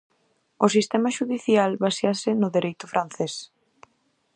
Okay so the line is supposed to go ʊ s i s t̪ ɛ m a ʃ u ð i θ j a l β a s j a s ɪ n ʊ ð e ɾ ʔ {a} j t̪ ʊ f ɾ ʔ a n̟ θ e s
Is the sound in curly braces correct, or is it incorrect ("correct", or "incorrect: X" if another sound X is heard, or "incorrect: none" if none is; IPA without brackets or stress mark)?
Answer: incorrect: e